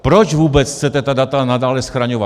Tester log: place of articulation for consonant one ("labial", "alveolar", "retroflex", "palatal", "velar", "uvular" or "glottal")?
labial